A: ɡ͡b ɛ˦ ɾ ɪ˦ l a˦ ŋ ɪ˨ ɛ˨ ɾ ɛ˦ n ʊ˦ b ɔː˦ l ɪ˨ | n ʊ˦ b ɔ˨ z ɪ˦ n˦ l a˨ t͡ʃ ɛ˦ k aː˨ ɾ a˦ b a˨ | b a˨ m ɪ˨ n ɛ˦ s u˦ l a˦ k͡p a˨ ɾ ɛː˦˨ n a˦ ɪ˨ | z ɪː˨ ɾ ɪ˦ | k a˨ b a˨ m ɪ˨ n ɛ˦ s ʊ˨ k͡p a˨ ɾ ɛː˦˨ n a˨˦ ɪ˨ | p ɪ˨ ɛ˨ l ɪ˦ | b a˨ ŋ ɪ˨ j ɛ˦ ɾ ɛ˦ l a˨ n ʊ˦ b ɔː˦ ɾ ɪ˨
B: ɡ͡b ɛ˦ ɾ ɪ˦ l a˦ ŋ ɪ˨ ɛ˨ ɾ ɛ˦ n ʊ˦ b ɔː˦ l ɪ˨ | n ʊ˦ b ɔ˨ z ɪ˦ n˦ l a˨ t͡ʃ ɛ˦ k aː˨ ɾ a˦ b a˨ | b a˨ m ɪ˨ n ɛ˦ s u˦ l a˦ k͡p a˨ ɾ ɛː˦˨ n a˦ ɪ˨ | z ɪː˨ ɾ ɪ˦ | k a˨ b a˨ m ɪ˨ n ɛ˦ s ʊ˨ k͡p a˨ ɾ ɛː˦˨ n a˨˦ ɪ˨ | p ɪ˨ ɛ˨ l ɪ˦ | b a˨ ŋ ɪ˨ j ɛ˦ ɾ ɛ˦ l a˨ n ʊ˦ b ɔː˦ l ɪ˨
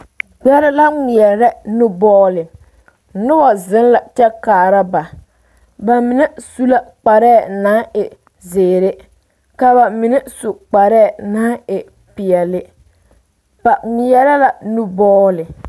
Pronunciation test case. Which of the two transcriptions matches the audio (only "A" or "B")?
B